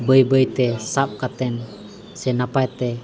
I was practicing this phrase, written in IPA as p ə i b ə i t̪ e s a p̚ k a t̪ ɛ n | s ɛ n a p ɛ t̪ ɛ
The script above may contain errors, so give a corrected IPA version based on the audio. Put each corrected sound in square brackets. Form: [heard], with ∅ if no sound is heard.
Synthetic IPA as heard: [b] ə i b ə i t̪ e s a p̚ k a t̪ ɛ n | s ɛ n a p [a] t̪ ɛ